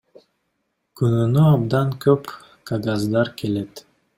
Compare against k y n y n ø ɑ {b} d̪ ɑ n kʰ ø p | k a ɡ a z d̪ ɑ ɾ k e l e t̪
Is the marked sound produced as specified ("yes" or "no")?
yes